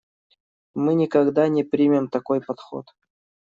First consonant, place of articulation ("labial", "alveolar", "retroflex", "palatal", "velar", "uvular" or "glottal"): labial